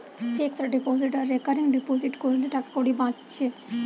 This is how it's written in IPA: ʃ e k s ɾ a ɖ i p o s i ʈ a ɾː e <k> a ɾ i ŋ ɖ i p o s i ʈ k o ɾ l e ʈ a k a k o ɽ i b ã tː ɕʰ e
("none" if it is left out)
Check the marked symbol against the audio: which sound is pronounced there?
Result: k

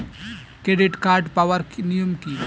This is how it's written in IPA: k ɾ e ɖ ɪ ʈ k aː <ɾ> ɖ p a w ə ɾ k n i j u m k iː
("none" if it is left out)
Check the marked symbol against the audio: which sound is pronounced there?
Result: ɾ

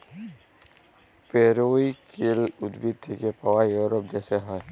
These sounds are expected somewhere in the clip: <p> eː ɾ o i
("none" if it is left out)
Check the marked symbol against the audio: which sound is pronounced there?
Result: p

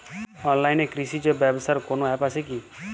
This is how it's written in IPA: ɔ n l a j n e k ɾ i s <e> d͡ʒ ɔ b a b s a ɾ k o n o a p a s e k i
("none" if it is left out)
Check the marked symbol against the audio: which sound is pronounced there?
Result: i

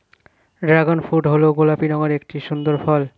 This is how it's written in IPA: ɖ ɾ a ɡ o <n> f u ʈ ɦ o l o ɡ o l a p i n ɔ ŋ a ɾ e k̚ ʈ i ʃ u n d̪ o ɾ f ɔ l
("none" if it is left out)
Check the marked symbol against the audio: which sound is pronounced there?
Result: n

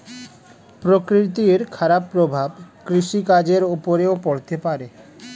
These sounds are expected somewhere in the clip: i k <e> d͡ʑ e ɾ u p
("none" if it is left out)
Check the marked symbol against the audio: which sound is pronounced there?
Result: a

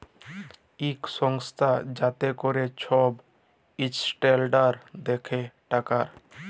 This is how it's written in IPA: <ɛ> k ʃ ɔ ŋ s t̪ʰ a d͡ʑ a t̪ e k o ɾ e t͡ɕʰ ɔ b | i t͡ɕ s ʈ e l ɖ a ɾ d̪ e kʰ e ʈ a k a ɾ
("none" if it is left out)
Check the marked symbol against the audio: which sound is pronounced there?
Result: i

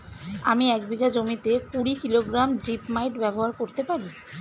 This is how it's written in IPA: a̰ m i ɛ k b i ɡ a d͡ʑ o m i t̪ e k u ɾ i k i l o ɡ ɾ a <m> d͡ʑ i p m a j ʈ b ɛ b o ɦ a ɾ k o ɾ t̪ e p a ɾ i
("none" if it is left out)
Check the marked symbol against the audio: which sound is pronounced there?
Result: m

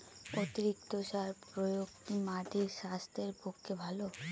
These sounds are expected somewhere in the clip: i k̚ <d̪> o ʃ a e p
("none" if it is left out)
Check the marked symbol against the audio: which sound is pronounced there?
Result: t̪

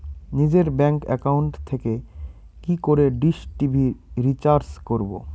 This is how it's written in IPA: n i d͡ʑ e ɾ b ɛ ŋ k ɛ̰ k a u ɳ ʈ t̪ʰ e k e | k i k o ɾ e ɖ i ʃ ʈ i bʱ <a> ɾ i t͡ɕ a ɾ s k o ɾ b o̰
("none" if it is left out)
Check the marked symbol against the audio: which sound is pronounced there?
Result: i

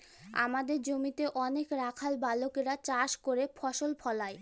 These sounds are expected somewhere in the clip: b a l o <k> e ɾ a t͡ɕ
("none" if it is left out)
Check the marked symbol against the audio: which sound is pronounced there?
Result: k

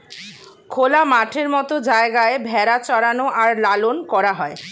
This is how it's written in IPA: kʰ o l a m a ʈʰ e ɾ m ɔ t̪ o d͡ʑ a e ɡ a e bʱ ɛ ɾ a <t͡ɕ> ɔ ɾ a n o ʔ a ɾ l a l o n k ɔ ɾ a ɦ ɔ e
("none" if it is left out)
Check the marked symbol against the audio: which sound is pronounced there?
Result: t͡ɕ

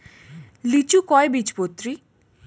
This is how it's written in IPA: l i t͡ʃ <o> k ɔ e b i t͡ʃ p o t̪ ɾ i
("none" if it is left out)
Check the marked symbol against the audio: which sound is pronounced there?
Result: u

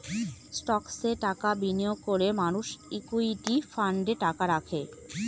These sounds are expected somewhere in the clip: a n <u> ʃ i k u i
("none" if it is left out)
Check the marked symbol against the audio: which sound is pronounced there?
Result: u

